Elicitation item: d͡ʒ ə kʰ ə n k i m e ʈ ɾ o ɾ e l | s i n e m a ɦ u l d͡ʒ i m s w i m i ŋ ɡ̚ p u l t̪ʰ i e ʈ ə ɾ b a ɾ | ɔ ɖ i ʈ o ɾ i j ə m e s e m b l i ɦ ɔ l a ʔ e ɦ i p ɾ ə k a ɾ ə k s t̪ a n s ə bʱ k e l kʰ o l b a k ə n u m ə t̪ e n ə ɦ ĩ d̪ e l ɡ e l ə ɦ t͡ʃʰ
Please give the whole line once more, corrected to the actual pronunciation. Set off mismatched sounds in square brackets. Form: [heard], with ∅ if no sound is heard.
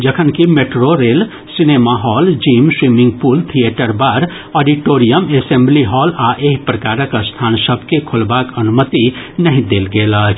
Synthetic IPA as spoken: d͡ʒ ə kʰ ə n k i m e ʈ ɾ o ɾ e l | s i n e m a ɦ [ɔ] l d͡ʒ i m s w i m i ŋ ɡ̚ p u l t̪ʰ i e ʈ ə ɾ b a ɾ | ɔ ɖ i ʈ o ɾ i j ə m e s e m b l i ɦ ɔ l a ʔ e ɦ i p ɾ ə k a ɾ ə k s [t̪ʰ] a n s ə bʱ k e [∅] kʰ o l b a k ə n u m ə t̪ [i] n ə ɦ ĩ d̪ e l ɡ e l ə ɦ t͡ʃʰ

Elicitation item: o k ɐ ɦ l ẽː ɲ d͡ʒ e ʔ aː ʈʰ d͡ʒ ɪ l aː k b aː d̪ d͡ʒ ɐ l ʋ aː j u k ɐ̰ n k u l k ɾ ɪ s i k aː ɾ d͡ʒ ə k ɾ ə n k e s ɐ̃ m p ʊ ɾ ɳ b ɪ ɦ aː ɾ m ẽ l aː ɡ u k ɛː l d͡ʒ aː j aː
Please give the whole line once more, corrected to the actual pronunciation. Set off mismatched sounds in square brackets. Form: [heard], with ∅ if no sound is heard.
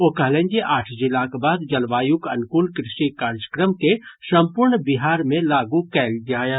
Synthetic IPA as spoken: o k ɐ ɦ l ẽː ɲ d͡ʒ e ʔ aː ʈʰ d͡ʒ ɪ l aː k b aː d̪ d͡ʒ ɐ l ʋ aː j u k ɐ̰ n k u l k ɾ ɪ [ʃ] i k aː ɾ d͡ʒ ə k ɾ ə [m] k e s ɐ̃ m p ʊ ɾ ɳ b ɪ ɦ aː ɾ m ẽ l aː ɡ u k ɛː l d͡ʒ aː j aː

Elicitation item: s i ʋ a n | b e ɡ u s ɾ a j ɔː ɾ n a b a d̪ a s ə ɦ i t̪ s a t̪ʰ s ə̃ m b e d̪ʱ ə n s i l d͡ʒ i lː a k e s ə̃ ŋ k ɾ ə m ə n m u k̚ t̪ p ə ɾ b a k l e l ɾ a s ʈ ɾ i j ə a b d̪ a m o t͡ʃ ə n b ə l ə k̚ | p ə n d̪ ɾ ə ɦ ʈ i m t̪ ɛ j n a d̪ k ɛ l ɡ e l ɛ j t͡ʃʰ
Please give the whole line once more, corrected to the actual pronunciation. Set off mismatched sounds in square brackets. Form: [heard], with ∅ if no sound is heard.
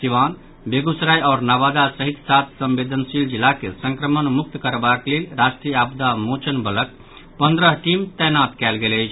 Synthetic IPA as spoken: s i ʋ a n | b e ɡ u s ɾ a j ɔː ɾ n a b a d̪ a s ə ɦ i t̪ s a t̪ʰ s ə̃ m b e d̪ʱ ə n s i l d͡ʒ i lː a k e s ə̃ ŋ k ɾ ə m ə n m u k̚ t̪ [k] ə ɾ b a k l e l ɾ a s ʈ ɾ i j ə a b d̪ a m o t͡ʃ ə n b ə l ə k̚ | p ə n d̪ ɾ ə ɦ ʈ i m t̪ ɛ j n a [t̪] k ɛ l ɡ e l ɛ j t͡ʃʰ

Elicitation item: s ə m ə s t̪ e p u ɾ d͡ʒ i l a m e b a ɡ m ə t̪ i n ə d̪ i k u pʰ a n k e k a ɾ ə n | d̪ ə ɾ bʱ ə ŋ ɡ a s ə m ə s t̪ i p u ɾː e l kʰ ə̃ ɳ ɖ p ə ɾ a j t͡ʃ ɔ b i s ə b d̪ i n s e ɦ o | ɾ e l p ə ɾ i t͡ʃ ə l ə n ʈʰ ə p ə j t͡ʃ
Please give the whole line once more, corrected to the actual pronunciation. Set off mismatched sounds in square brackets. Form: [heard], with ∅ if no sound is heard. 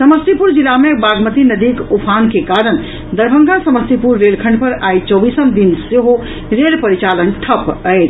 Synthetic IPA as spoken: s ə m ə s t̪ [i] p u ɾ d͡ʒ i l a m e b a ɡ m ə t̪ i n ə d̪ i k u pʰ a n k e k a ɾ ə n | d̪ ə ɾ bʱ ə ŋ ɡ a s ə m ə s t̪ i p u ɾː e l kʰ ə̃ ɳ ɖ p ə ɾ a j t͡ʃ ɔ b i s ə [m] d̪ i n s e ɦ o | ɾ e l p ə ɾ i t͡ʃ [a] l ə n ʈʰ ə p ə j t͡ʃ

